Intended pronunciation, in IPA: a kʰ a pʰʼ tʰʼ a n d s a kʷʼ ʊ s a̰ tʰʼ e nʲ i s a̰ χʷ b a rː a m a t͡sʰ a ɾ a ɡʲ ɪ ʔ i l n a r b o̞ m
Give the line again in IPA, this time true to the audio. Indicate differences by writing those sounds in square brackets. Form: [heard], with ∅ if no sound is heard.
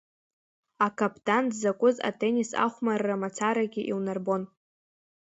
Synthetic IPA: a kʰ a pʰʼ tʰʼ a n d [z] a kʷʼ ʊ [z] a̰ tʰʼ e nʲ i s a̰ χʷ [m] a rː a m a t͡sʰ a ɾ a ɡʲ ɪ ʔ i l n a r b o̞ [n]